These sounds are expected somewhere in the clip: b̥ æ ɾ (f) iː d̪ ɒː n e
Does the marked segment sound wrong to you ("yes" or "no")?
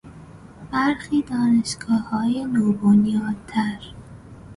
yes